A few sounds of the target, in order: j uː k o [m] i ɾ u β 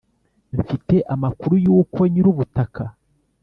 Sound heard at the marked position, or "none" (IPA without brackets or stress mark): ɲ